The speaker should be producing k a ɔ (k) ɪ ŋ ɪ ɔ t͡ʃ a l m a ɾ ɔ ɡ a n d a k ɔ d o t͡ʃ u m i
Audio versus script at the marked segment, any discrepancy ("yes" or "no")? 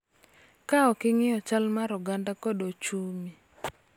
no